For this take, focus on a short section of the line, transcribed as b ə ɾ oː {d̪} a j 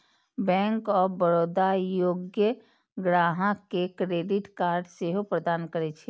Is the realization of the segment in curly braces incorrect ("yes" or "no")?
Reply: no